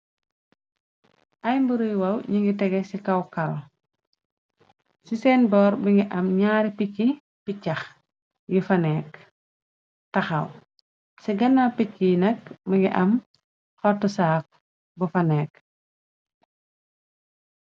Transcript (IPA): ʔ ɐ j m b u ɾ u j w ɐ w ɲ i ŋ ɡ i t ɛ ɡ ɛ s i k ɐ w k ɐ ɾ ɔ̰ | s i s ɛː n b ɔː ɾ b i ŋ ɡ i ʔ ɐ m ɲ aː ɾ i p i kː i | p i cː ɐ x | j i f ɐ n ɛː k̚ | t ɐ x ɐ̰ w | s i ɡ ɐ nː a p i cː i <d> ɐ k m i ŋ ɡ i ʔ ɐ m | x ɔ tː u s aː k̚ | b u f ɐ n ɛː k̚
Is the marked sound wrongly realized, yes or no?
yes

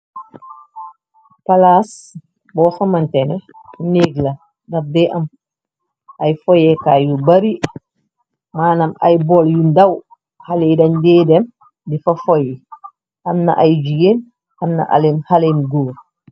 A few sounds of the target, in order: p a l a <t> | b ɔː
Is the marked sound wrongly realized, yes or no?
yes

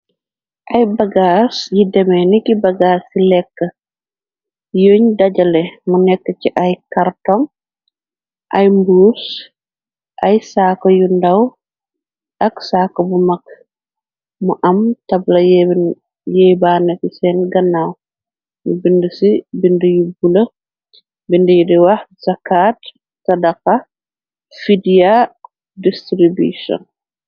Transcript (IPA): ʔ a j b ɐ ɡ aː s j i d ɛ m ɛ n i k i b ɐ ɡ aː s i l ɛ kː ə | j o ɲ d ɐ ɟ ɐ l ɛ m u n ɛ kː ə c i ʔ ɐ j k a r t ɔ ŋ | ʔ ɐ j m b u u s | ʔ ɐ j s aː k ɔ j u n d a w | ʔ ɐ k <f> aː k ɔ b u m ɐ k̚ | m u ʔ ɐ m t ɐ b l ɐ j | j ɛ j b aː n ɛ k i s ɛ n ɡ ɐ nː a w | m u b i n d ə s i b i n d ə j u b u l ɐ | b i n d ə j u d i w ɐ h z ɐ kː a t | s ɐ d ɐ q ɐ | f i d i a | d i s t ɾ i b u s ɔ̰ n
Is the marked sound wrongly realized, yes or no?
yes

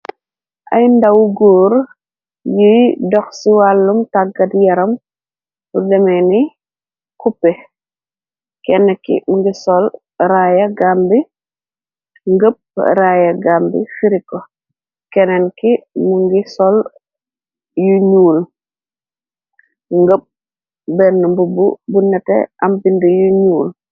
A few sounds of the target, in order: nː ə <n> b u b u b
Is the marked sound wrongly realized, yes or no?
yes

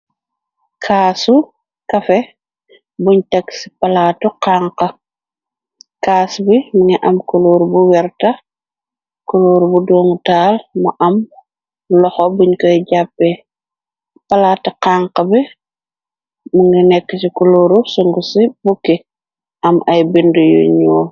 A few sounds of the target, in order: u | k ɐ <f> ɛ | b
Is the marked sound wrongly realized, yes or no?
no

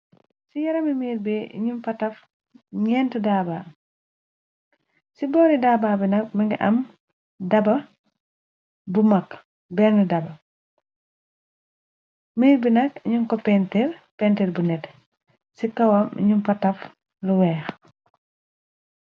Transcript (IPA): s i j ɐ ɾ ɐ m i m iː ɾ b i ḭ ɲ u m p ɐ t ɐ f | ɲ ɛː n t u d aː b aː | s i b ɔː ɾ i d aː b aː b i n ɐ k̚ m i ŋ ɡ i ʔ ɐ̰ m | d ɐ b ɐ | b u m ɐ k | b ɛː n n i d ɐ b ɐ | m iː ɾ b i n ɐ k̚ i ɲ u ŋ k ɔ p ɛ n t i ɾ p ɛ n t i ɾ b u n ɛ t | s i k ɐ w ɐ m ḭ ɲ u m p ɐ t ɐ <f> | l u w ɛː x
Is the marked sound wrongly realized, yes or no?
no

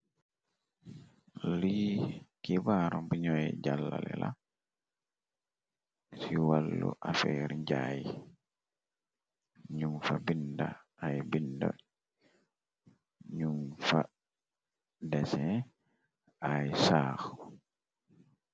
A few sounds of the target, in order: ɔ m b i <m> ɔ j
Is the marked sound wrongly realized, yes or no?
yes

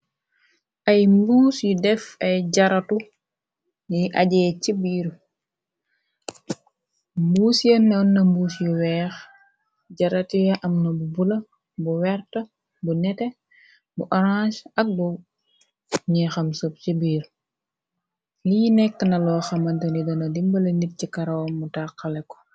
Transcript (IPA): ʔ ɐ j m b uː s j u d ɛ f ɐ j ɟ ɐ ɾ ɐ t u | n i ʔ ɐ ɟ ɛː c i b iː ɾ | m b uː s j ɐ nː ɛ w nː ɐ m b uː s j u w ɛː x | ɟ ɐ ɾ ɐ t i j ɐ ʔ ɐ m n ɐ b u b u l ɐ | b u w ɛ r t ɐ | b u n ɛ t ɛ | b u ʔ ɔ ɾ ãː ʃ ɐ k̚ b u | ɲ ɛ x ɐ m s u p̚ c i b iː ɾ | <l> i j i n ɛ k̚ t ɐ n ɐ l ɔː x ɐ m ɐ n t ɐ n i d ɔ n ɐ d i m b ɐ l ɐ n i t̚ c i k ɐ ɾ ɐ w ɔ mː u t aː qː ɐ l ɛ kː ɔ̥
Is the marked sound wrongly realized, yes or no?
no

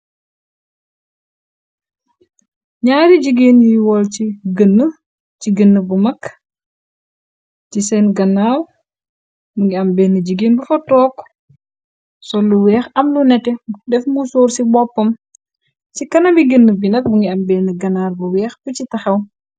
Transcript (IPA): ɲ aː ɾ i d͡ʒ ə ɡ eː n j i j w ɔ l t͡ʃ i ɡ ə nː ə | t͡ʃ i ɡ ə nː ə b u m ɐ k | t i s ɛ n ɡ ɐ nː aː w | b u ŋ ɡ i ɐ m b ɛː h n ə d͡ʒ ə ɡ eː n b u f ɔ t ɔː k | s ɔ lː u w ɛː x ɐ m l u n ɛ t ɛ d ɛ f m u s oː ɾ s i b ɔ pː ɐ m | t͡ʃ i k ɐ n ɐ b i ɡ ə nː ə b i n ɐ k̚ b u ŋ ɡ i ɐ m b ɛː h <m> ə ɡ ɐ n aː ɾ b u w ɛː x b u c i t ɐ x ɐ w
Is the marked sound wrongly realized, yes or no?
yes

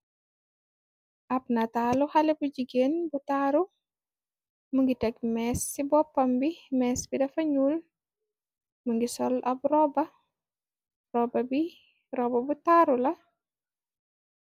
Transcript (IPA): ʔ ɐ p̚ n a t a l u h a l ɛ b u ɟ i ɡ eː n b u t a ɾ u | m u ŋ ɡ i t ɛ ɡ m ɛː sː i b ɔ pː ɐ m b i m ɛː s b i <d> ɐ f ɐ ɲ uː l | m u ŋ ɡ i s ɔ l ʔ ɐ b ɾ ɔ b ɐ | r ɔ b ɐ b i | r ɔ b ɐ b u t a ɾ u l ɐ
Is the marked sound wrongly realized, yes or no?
no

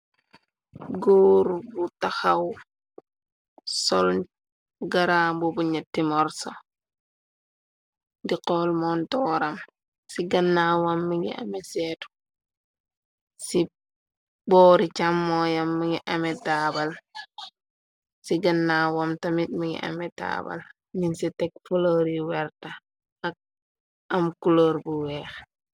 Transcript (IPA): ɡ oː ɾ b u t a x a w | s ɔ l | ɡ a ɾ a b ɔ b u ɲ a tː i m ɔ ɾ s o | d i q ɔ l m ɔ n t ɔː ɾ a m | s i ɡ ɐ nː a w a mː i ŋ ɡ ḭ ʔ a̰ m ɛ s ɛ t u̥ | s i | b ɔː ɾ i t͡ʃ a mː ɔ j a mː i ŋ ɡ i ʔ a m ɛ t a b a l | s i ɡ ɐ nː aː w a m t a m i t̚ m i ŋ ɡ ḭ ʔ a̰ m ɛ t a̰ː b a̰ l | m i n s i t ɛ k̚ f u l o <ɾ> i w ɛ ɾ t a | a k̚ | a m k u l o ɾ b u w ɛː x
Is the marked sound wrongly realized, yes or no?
no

